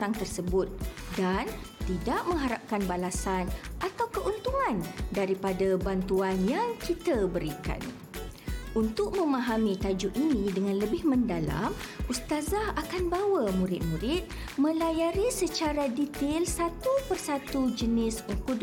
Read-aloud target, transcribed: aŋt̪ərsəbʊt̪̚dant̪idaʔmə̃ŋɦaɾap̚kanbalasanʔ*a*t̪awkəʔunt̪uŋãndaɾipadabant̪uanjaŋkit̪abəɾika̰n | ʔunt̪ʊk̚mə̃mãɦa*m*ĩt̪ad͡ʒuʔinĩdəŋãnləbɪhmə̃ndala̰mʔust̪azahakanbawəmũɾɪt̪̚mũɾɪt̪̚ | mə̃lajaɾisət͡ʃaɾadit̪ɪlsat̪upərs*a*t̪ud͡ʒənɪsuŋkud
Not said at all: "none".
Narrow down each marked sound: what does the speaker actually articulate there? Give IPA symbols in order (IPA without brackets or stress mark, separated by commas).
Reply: a, m, a